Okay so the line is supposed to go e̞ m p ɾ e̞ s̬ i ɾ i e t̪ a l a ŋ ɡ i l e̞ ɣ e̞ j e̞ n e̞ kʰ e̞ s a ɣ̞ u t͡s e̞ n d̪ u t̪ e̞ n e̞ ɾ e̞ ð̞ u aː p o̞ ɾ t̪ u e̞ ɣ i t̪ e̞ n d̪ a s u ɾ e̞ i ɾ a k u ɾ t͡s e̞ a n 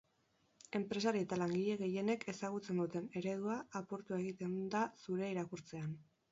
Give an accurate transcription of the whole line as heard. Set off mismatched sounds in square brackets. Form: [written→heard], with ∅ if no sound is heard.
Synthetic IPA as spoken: e̞ m p ɾ e̞ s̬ [i→a] ɾ i e t̪ a l a ŋ ɡ i [l→ʎ] e̞ ɣ e̞ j e̞ n e̞ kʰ e̞ s a ɣ̞ u t͡s e̞ n d̪ u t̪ e̞ n e̞ ɾ e̞ ð̞ u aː p o̞ ɾ t̪ u e̞ ɣ i t̪ e̞ n d̪ a s u ɾ e̞ i ɾ a k u ɾ t͡s e̞ a n